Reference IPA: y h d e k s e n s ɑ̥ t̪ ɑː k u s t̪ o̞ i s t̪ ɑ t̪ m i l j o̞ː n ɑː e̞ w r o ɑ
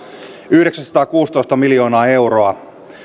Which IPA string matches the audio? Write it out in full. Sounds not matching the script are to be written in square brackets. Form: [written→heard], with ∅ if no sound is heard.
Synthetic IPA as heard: y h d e k s [e→æ] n s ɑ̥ t̪ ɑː k [u→uː] s t̪ o̞ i s t̪ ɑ [t̪→∅] m i l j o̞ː n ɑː e̞ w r o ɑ